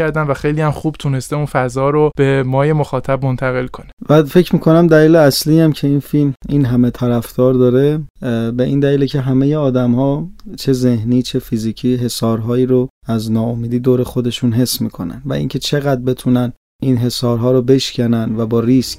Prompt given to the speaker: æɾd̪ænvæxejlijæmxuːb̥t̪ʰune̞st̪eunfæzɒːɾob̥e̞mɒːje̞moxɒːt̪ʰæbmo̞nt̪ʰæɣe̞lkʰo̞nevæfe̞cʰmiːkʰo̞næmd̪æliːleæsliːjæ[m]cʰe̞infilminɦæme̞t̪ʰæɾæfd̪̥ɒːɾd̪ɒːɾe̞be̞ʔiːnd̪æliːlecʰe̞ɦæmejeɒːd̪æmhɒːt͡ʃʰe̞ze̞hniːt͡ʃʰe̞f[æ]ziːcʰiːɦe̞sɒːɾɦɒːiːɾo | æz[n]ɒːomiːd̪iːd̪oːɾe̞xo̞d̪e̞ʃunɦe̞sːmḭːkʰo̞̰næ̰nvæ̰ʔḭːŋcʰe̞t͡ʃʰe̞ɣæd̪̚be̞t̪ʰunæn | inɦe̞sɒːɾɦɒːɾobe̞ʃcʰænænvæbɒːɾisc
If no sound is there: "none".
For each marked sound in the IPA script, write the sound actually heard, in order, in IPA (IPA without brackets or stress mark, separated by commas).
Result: m, i, n